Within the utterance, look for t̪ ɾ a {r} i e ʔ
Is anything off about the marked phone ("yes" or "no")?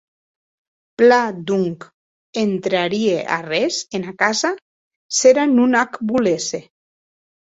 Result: yes